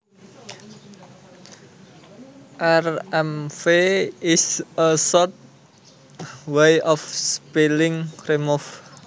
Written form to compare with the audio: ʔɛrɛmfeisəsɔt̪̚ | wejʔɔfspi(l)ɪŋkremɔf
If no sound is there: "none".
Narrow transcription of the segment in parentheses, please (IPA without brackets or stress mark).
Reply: l